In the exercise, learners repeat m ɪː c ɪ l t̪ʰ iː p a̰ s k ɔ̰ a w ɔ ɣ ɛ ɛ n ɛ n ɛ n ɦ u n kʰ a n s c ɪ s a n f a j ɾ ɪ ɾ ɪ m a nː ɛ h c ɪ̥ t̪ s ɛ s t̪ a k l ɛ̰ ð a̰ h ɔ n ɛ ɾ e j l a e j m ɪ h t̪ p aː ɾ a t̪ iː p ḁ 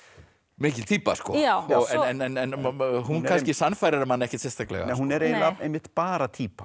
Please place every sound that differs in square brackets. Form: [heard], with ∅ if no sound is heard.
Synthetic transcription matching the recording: m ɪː c ɪ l t̪ʰ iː p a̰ s k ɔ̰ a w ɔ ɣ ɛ ɛ n ɛ n ɛ n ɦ u n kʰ a n s c ɪ s a n f a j ɾ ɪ ɾ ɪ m a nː ɛ h c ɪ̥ t̪ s ɛ s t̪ a k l ɛ̰ [ɣ] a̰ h [u] n ɛ ɾ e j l a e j m ɪ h t̪ p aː ɾ a [t̪ʰ] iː p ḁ